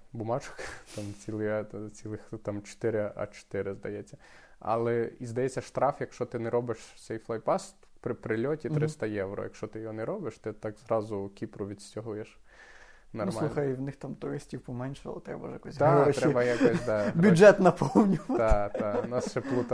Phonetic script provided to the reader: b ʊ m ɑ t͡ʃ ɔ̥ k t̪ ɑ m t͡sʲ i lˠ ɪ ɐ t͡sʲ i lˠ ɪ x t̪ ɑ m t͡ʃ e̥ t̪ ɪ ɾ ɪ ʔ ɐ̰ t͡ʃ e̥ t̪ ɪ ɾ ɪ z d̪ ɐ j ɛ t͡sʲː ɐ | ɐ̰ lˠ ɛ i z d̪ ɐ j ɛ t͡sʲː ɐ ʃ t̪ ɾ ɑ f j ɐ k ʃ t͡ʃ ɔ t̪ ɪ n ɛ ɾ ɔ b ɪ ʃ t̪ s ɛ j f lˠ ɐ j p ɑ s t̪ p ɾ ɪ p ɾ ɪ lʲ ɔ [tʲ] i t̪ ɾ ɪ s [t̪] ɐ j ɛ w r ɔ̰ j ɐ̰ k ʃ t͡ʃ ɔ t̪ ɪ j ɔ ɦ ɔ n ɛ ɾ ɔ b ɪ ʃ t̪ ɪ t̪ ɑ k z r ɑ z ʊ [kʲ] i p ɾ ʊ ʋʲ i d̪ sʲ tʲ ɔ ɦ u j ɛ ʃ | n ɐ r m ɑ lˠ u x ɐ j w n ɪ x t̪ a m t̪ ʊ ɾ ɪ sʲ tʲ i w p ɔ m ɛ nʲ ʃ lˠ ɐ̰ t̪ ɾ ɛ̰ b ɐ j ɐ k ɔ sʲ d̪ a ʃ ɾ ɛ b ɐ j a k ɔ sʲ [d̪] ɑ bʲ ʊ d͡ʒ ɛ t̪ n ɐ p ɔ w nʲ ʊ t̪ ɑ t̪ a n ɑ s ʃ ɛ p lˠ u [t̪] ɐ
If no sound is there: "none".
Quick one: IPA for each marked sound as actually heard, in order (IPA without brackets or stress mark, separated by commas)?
tʲ, t̪, kʲ, d̪, t̪